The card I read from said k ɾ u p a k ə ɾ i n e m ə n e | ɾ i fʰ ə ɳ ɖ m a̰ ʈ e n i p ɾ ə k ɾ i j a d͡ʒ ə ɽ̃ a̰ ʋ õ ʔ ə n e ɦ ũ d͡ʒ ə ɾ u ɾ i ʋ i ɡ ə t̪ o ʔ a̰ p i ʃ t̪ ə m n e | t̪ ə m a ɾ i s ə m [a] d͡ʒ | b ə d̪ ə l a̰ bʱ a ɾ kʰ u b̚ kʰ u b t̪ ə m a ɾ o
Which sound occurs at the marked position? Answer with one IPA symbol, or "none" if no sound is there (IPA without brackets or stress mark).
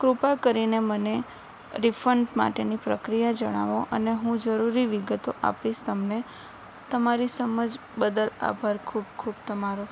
ə